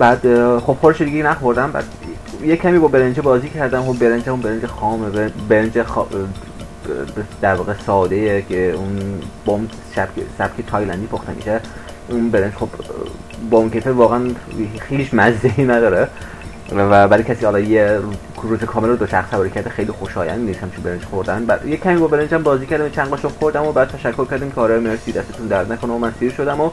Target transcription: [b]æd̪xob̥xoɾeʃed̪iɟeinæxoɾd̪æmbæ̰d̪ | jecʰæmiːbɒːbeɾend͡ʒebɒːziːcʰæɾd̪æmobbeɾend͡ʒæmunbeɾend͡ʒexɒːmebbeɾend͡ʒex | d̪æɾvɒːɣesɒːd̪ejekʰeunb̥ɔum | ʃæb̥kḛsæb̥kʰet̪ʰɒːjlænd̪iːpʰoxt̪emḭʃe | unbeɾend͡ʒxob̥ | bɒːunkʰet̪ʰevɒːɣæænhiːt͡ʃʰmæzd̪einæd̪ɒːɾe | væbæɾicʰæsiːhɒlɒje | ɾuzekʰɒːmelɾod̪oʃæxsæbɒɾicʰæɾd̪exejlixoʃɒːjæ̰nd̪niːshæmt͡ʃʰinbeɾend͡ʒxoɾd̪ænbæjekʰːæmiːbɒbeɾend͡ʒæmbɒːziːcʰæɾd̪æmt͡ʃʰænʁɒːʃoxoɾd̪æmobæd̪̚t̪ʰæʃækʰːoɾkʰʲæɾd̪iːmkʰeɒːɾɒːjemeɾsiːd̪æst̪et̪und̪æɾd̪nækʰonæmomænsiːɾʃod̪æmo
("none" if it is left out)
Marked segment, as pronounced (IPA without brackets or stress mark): b